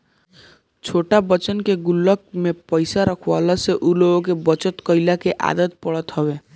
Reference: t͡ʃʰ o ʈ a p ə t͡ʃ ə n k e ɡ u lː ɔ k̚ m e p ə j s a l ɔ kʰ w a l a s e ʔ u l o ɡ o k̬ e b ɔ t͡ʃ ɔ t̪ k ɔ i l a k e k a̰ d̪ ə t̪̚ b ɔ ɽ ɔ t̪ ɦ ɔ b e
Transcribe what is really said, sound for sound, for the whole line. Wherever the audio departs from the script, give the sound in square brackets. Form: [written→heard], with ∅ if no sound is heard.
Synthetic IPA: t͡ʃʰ o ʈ a [p→b] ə t͡ʃ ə n k e ɡ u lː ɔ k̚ m e p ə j s a [l→ɾ] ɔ kʰ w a l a s e ʔ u l o ɡ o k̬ e b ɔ t͡ʃ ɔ t̪ k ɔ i l a k e [k→ʔ] a̰ d̪ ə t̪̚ [b→p] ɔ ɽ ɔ t̪ ɦ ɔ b e